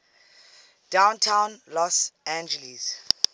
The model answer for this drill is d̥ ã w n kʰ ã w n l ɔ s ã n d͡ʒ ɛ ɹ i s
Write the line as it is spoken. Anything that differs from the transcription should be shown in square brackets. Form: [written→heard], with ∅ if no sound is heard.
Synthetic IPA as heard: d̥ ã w n [kʰ→tʰ] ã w n l ɔ s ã n d͡ʒ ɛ [ɹ→l] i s